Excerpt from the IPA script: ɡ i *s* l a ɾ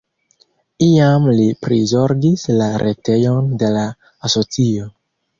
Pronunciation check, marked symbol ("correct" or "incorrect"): correct